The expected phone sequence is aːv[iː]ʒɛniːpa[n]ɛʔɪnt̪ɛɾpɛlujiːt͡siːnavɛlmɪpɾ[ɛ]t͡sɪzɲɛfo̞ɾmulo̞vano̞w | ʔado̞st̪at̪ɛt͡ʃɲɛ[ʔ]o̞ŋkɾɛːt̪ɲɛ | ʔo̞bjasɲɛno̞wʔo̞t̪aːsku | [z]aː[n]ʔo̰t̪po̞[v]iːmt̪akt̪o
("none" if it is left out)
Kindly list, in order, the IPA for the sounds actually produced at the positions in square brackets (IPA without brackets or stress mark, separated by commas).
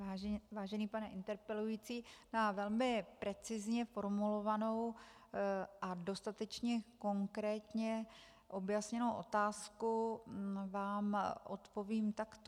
aː, n, ɛ, k, v, m, v